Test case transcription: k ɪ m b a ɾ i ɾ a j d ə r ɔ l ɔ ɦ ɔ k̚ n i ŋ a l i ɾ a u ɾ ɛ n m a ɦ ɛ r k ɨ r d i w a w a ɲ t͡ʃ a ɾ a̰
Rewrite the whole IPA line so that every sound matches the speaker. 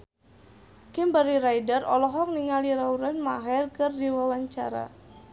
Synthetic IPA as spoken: k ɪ m b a ɾ i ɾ a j d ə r ɔ l ɔ ɦ ɔ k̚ n i ŋ a l i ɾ a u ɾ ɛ n m a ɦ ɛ r k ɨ r d i w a w a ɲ t͡ʃ a ɾ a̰